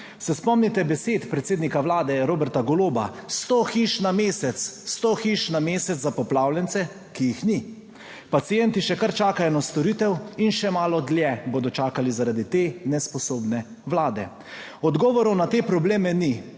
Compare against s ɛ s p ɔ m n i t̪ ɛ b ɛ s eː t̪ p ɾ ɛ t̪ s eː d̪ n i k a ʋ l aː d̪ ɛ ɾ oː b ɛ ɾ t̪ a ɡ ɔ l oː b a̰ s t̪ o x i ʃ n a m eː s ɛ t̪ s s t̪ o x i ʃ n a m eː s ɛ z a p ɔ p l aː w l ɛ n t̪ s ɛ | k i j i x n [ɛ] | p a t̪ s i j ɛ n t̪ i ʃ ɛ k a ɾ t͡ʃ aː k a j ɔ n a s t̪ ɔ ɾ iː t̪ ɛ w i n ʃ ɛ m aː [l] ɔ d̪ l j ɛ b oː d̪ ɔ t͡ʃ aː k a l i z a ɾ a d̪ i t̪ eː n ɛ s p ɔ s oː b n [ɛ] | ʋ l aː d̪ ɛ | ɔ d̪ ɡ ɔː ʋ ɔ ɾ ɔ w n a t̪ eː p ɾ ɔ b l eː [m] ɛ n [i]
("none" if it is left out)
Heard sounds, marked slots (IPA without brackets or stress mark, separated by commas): i, l, ɛ, m, i